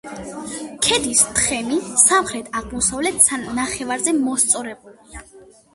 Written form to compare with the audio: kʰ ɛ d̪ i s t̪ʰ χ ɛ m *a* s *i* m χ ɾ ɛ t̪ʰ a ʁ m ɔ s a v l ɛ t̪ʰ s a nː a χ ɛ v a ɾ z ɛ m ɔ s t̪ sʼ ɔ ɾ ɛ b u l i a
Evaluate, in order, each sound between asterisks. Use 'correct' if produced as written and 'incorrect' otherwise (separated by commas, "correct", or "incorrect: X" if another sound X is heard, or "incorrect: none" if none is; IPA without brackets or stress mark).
incorrect: i, incorrect: a